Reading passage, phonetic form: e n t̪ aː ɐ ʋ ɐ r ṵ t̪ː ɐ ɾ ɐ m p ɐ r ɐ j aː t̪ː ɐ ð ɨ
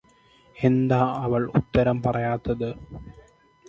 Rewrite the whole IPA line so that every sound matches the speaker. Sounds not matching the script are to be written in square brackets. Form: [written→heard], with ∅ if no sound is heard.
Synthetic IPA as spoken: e n [t̪→d̪] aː ɐ ʋ ɐ [r→ɭ] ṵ t̪ː ɐ ɾ ɐ m p ɐ r ɐ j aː t̪ː ɐ ð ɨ